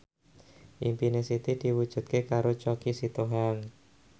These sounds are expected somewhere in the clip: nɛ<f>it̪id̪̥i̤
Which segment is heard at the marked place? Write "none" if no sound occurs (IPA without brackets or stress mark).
s